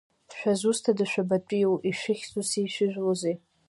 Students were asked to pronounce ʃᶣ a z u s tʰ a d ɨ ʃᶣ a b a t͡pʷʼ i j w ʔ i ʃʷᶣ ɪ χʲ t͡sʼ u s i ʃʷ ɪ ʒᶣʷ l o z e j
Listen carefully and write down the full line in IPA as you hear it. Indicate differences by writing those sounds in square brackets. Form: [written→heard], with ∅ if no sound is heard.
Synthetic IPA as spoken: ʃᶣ a z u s tʰ a d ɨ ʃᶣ a b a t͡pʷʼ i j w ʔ i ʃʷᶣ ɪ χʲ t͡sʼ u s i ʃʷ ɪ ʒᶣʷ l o z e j